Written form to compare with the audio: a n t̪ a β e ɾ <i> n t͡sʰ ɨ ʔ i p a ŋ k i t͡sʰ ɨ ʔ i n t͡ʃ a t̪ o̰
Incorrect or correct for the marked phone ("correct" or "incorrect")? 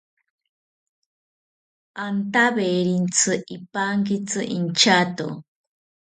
correct